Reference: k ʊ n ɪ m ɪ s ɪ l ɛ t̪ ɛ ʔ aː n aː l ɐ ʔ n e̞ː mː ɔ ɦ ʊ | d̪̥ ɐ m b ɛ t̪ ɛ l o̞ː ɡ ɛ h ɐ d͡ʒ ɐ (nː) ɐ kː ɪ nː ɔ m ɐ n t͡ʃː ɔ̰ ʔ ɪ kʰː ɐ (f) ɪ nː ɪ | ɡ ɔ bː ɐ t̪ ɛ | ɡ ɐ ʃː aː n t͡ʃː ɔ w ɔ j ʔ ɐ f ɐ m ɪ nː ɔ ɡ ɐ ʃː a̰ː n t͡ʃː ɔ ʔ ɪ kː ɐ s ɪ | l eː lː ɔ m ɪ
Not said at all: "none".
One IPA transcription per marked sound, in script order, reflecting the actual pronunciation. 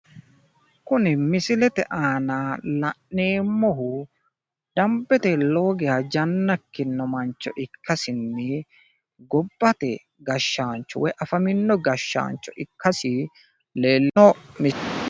nː, s

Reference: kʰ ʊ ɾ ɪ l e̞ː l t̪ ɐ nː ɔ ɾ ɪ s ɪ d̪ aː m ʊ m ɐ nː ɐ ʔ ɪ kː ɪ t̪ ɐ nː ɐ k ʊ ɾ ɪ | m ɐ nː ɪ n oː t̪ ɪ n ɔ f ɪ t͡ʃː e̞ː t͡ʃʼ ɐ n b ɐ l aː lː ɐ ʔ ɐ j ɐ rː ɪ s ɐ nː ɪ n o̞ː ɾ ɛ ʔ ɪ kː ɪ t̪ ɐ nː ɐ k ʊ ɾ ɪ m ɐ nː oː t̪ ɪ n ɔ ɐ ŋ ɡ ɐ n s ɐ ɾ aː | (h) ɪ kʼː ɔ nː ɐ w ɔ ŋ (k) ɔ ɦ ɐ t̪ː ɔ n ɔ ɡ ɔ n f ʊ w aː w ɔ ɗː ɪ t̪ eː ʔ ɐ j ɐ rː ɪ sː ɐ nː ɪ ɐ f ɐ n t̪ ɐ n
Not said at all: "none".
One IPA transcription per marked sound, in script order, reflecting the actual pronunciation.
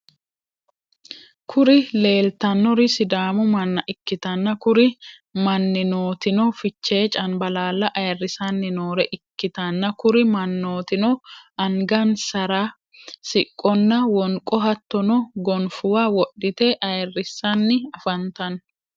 s, kʼ

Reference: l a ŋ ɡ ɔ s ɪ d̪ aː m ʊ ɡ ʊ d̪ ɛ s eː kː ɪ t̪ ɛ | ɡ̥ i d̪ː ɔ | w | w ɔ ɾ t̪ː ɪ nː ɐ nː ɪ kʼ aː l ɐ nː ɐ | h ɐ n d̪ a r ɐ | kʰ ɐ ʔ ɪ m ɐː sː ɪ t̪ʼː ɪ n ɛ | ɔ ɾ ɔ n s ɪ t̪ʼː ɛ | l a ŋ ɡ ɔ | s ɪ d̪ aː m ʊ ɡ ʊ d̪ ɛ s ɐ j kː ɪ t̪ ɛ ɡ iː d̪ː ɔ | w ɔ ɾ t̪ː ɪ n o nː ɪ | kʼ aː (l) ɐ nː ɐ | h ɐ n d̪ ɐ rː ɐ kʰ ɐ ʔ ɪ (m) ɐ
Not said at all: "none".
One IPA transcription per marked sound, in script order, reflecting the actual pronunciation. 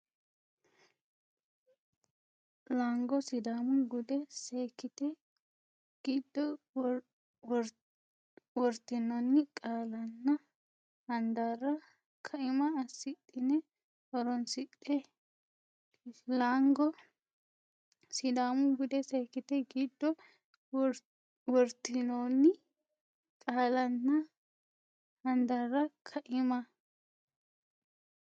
l, m

